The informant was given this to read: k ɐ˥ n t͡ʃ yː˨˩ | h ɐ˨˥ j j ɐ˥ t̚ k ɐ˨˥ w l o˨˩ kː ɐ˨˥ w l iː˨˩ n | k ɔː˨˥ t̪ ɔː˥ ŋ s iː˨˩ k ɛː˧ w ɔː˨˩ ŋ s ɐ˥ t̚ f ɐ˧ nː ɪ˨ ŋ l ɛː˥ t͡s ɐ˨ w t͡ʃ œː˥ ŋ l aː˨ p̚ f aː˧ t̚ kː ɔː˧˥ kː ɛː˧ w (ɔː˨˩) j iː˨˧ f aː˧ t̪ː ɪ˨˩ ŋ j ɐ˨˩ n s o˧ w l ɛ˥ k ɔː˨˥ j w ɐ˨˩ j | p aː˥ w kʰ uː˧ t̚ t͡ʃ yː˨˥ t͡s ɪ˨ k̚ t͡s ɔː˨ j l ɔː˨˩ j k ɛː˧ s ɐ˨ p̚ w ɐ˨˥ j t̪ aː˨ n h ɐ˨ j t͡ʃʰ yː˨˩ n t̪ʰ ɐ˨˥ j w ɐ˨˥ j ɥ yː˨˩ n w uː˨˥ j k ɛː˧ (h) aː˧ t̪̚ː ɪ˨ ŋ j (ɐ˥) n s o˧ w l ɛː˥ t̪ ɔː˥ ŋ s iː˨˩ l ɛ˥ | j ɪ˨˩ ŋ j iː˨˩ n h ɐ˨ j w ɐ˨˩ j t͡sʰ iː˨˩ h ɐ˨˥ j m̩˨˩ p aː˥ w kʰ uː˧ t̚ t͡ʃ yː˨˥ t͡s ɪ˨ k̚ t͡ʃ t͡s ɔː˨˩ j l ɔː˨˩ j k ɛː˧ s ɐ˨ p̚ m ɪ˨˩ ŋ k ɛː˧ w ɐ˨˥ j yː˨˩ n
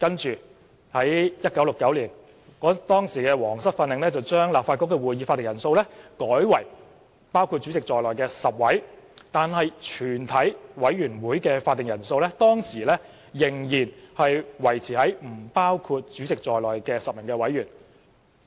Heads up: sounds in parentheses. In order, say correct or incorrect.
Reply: incorrect: uː˨˩, incorrect: f, incorrect: ɐ˨˩

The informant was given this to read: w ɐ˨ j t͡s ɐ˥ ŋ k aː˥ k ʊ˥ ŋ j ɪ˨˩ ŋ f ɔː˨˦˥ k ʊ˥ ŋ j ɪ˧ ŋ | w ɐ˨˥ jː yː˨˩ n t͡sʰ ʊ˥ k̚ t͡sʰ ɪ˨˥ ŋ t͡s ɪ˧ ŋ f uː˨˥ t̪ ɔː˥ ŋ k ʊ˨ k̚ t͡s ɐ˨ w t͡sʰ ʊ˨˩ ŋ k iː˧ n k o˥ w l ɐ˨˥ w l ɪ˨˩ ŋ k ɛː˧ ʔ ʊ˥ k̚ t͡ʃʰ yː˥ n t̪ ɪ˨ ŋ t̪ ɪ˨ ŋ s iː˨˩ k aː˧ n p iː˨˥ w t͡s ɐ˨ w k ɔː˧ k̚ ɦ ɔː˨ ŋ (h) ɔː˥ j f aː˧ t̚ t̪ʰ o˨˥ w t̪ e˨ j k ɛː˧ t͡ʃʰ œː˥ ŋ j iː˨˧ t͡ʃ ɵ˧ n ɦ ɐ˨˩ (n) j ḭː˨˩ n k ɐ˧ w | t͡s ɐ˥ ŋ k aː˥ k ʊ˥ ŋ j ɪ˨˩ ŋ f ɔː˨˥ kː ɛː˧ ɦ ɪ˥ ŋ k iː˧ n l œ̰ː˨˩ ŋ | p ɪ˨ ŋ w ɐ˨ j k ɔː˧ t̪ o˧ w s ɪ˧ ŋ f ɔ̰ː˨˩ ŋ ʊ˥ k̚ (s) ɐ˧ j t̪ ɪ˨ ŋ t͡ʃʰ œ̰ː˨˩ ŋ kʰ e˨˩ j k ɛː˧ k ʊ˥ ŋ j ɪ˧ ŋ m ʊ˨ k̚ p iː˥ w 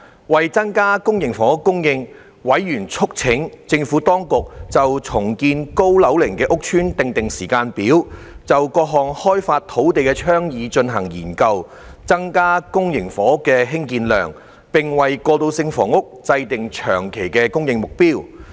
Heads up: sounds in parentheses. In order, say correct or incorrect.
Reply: correct, incorrect: ŋ, incorrect: t͡s

